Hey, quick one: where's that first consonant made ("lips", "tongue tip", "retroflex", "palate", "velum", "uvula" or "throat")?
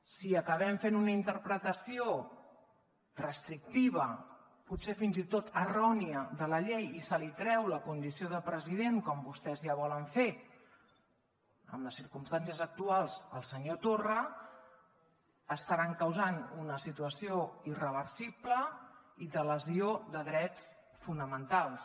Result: tongue tip